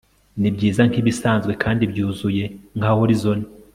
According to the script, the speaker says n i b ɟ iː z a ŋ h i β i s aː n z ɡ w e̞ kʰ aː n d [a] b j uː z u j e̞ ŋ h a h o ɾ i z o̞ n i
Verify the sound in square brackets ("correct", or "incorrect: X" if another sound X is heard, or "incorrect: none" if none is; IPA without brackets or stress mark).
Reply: incorrect: i